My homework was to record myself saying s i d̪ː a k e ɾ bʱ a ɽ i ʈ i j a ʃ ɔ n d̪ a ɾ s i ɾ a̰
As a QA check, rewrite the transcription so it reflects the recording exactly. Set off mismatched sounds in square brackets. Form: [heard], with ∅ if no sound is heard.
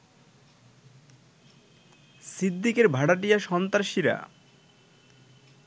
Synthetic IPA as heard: s i d̪ː [i] k e ɾ bʱ a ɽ [a] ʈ i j a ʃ ɔ n [t̪] a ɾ [ʃ] i ɾ a̰